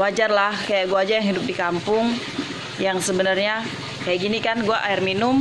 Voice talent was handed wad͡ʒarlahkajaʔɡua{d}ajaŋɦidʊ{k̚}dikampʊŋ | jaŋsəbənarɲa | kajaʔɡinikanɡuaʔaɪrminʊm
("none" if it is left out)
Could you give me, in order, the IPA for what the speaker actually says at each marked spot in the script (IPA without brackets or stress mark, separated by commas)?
d͡ʒ, p̚